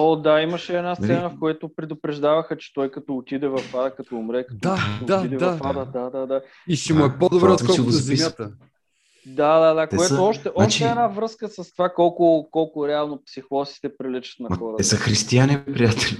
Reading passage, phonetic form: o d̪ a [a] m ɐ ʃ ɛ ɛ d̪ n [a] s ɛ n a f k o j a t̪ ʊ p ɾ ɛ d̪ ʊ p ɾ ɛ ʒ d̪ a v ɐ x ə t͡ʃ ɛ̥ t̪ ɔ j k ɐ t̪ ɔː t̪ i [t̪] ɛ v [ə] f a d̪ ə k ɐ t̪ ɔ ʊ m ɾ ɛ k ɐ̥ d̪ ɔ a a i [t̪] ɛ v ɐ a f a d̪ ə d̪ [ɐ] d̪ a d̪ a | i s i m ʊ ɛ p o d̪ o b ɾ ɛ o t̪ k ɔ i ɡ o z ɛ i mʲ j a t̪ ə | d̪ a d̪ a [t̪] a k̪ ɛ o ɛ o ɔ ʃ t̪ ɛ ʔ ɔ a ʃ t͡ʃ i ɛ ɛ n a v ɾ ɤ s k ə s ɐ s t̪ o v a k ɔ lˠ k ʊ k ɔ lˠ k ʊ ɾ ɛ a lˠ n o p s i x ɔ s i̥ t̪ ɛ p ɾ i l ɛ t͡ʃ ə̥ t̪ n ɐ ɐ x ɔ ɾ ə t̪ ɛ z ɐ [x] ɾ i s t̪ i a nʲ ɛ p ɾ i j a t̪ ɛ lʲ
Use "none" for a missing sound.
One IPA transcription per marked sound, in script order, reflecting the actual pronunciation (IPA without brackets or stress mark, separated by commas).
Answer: i, a, d̪, ɐ, d̪, a, d̪, x